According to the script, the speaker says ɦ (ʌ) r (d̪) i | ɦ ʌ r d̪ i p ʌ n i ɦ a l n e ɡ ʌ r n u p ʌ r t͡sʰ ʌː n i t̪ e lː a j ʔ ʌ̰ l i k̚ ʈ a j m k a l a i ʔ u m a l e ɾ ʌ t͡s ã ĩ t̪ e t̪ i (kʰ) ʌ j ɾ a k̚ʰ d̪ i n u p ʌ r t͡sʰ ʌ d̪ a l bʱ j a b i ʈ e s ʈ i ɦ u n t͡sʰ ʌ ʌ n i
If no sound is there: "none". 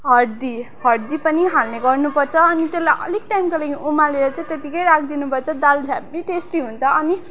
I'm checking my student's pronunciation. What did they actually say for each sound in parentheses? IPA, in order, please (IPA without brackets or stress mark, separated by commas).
ʌ, d̪, k